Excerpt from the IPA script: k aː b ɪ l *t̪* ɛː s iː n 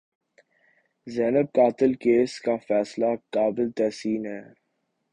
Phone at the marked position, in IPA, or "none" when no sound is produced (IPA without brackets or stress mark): t̪